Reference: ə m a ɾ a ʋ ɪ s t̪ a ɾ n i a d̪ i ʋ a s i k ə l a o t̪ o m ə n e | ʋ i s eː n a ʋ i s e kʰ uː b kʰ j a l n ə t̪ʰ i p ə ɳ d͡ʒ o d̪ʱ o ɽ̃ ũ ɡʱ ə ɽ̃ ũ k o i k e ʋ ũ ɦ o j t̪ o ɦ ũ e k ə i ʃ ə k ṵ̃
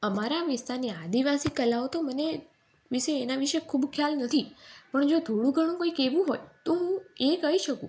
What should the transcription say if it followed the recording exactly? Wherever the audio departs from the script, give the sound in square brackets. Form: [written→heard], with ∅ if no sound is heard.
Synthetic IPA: ə m a ɾ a ʋ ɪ s t̪ a ɾ n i a d̪ i ʋ a s i k ə l a o t̪ o m ə n e | ʋ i [s→ʃ] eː n a ʋ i [s→ʃ] e kʰ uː b kʰ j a l n ə t̪ʰ i p ə ɳ d͡ʒ o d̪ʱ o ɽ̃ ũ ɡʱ ə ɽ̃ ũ k o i k e ʋ ũ ɦ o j t̪ o ɦ ũ e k ə i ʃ ə k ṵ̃

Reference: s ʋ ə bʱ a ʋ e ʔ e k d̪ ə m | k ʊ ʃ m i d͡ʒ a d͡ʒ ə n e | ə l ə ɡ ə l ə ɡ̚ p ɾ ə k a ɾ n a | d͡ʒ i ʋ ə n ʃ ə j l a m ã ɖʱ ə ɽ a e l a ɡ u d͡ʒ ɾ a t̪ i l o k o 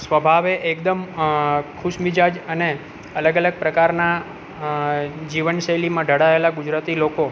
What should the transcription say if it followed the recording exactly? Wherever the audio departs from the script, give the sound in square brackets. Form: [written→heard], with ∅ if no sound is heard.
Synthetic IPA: s ʋ ə bʱ a ʋ e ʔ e k d̪ ə m | [k→kʰ] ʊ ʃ m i d͡ʒ a d͡ʒ ə n e | ə l ə ɡ ə l ə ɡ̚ p ɾ ə k a ɾ n a | d͡ʒ i ʋ ə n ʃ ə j l [a→i] m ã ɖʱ ə ɽ a e l a ɡ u d͡ʒ ɾ a t̪ i l o k o

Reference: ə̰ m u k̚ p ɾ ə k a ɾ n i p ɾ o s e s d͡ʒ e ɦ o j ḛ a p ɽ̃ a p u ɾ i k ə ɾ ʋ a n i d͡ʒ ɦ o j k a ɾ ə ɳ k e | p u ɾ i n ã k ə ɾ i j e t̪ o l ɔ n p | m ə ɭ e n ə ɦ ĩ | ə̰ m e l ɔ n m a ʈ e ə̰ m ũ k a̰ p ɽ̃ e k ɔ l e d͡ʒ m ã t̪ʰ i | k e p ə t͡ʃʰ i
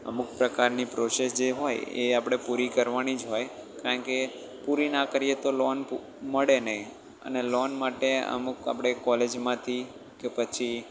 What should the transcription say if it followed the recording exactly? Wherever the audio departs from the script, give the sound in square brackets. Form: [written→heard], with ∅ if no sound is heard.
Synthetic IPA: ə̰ m u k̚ p ɾ ə k a ɾ n i p ɾ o s e s d͡ʒ e ɦ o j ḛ a p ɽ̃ [a→e] p u ɾ i k ə ɾ ʋ a n i d͡ʒ ɦ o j k a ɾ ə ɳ k e | p u ɾ i n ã k ə ɾ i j e t̪ o l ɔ n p | m ə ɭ e n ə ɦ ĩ | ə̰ [m→n] e l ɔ n m a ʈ e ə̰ m [ũ→u] k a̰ p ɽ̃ e k ɔ l e d͡ʒ m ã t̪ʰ i | k e p ə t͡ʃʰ i

